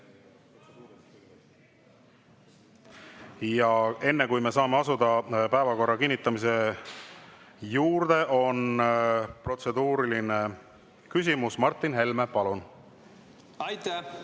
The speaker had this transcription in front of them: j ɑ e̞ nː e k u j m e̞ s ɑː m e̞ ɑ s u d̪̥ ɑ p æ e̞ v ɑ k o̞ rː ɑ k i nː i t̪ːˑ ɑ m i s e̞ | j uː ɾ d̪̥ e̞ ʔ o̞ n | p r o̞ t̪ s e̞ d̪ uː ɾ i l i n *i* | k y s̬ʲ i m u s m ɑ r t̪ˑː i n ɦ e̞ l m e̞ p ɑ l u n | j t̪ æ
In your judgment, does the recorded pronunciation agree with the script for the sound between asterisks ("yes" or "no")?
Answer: no